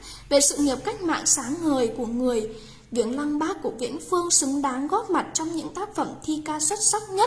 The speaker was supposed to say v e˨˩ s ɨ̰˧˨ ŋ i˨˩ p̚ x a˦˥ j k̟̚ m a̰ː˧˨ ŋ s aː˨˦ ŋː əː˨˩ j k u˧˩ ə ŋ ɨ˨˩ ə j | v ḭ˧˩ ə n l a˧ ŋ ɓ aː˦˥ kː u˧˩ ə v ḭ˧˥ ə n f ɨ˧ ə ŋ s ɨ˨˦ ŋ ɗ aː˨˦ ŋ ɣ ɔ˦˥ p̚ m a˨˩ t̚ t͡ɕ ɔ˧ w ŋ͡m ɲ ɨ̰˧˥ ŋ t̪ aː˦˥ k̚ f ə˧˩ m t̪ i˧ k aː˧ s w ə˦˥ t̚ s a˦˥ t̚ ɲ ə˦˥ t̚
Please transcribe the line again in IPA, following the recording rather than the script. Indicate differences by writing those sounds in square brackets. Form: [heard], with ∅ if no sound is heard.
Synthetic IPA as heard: v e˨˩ s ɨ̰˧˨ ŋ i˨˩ p̚ [k] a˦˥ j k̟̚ m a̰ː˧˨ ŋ s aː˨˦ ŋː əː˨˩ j k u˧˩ ə ŋ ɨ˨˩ ə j | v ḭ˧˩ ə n l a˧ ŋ ɓ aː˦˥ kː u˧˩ ə v ḭ˧˥ ə n f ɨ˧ ə ŋ s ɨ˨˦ ŋ ɗ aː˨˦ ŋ ɣ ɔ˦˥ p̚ m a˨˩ t̚ t͡ɕ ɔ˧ w ŋ͡m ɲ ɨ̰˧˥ ŋ t̪ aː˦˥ k̚ f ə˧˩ m [t̪ʰ] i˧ k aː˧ s w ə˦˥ t̚ s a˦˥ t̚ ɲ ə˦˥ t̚

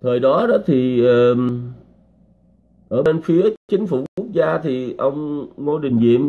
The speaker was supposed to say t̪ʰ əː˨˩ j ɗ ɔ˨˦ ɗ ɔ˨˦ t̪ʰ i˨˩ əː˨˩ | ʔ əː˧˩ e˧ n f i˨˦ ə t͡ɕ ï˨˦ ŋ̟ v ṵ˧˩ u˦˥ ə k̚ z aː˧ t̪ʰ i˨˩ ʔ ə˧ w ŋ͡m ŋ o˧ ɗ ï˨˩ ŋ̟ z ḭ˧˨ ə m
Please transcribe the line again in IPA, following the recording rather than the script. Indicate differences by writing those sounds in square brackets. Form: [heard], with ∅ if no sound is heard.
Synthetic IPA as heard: t̪ʰ əː˨˩ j ɗ ɔ˨˦ ɗ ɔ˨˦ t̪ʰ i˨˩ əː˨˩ | ʔ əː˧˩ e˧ n f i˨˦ ə t͡ɕ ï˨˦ ŋ̟ [f] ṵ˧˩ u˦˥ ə k̚ z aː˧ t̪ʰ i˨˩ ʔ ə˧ w ŋ͡m ŋ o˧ ɗ ï˨˩ ŋ̟ z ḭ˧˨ ə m

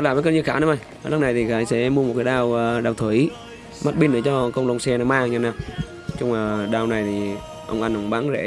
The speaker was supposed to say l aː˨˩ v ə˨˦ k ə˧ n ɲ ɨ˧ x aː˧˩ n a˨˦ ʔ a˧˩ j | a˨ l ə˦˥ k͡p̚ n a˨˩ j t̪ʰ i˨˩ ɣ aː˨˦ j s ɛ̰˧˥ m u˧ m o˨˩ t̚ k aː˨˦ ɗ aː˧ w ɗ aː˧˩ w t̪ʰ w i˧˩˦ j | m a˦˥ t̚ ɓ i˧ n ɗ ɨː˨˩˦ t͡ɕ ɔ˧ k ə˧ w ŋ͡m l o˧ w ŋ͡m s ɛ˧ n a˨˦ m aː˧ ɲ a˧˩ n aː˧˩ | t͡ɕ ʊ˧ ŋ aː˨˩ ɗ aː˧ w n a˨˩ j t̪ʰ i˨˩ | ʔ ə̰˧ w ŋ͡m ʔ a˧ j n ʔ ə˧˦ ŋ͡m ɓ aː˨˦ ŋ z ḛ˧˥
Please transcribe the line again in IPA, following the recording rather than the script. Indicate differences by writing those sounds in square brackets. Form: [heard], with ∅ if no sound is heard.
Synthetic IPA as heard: l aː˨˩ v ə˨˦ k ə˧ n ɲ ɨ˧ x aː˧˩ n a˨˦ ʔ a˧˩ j | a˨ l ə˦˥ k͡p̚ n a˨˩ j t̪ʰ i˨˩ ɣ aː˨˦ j s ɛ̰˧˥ m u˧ m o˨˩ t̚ k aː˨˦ ɗ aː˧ w ɗ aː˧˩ w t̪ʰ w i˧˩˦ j | m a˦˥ t̚ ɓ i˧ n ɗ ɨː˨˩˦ t͡ɕ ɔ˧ k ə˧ w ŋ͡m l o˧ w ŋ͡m s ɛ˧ n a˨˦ m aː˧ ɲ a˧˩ n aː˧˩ | t͡ɕ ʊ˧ [ŋ͡m] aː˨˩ ɗ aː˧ w n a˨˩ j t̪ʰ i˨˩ | ʔ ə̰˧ w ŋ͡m ʔ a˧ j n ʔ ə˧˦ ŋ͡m ɓ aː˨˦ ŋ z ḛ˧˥

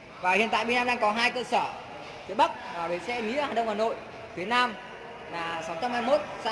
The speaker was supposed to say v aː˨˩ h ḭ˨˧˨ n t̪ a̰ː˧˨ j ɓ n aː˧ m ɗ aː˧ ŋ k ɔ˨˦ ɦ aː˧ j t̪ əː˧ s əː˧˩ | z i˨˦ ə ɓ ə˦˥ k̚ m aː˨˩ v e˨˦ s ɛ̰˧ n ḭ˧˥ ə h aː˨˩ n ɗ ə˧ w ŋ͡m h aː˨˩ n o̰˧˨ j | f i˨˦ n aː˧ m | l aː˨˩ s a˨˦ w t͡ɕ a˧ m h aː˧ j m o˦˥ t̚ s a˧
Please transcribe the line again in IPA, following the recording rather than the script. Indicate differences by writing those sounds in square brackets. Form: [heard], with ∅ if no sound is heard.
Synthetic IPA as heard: v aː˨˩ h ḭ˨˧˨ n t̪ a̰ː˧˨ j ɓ n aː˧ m ɗ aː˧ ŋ k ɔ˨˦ ɦ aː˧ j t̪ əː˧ s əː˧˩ | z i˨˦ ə ɓ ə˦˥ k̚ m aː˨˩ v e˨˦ s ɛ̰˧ n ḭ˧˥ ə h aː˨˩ n ɗ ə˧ w ŋ͡m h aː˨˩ n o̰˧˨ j | f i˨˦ n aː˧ m | l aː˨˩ s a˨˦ w t͡ɕ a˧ m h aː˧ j m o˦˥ t̚ s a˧

